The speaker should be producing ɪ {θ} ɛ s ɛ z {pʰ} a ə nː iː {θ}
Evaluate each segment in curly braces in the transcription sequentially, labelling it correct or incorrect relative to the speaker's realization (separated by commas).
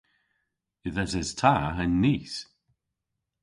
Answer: incorrect, incorrect, incorrect